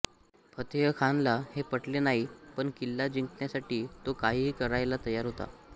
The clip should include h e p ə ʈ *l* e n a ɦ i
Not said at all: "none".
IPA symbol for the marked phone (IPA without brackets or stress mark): l